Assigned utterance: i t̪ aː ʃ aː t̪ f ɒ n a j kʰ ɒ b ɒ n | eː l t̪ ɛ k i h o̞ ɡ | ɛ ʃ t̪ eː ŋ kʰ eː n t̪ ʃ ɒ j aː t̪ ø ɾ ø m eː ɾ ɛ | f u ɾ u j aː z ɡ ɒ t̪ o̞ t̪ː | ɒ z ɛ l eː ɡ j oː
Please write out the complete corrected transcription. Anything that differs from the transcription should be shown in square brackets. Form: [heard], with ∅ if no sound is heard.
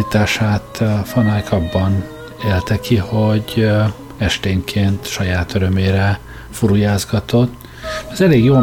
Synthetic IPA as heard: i t̪ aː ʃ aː t̪ f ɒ n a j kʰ ɒ [bː] ɒ n | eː l t̪ ɛ k i h o̞ [ɟ] | ɛ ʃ t̪ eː ŋ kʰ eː n t̪ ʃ ɒ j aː t̪ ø ɾ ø m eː ɾ ɛ | f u ɾ u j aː z ɡ ɒ t̪ o̞ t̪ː | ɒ z ɛ l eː ɡ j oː